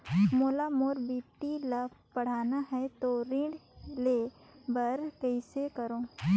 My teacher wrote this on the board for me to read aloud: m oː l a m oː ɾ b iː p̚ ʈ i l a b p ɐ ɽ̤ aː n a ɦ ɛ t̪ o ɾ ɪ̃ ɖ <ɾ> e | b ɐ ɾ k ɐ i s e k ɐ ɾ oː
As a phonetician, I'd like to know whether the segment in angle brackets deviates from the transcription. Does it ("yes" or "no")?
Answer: yes